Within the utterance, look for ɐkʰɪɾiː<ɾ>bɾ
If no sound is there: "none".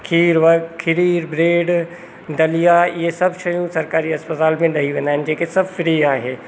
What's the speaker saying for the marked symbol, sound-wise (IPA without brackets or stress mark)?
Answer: ɾ